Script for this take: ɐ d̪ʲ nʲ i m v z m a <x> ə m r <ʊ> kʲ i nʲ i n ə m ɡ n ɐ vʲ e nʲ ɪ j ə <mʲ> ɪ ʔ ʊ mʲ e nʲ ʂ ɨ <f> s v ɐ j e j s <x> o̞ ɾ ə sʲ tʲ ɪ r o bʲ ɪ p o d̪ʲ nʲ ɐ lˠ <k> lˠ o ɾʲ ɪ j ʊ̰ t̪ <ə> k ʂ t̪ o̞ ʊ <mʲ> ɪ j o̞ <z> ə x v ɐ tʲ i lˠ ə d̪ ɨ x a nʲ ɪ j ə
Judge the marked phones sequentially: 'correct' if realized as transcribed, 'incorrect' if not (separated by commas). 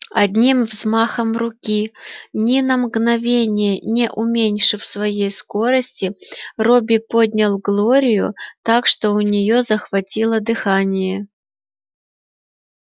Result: correct, correct, incorrect, correct, incorrect, incorrect, incorrect, incorrect, correct